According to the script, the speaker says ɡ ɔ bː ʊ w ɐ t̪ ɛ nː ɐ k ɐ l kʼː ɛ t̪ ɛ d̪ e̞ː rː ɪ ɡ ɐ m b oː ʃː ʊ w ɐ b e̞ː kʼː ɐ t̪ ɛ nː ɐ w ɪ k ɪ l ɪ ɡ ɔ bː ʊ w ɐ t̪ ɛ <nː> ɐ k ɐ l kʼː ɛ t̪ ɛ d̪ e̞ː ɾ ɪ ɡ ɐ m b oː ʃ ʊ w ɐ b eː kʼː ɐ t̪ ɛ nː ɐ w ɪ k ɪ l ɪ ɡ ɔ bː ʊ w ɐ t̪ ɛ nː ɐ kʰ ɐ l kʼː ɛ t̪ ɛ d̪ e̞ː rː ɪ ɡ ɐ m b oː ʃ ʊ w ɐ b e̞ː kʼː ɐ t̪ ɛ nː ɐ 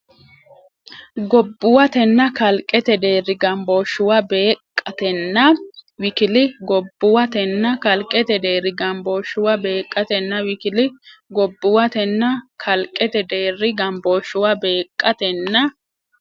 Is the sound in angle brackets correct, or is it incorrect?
correct